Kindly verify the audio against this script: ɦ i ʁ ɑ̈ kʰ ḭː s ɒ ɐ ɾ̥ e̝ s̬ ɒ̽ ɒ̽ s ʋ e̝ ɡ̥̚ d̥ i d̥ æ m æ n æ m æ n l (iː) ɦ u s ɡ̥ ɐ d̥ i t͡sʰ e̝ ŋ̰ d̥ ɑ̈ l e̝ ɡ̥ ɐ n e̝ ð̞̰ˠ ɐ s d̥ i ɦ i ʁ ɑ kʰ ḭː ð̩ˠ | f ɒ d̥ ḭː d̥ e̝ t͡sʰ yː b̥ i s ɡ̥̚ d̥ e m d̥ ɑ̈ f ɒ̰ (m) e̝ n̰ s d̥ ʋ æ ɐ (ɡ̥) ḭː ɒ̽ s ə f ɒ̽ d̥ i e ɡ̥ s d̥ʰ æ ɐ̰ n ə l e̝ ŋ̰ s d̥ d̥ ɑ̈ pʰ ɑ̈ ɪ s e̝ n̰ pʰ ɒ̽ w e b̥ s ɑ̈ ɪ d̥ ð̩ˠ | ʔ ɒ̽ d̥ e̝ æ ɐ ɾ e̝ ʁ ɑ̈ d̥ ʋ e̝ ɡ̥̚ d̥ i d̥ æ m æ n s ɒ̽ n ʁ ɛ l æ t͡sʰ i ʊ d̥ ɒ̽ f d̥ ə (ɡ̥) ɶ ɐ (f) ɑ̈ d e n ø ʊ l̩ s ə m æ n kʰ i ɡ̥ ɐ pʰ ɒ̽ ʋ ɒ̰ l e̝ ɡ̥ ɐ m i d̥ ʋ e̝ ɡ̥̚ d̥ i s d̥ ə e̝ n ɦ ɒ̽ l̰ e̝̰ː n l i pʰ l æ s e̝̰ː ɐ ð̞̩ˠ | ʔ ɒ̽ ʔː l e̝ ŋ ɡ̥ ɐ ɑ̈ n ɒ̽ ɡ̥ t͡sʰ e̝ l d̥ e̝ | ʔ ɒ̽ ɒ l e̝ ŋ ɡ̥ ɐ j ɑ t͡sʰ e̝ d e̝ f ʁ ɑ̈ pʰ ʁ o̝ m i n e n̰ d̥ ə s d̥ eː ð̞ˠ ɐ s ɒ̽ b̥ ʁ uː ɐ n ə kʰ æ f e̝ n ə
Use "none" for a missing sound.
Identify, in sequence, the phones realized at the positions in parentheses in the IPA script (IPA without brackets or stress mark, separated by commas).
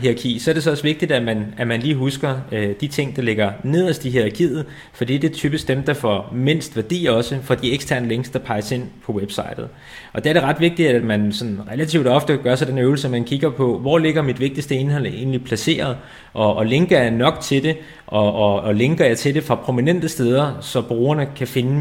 iː, m, d̥, ɡ̥, s